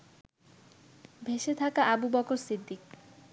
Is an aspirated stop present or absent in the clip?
present